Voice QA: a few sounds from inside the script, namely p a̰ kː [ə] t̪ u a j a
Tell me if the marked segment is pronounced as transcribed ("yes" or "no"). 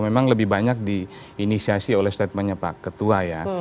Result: yes